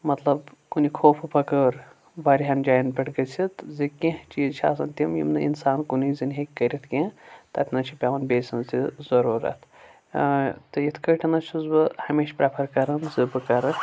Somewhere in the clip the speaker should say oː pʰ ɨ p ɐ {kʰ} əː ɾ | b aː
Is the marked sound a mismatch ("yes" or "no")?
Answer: yes